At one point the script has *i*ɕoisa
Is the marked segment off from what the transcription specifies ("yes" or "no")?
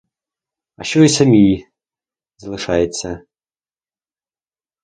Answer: yes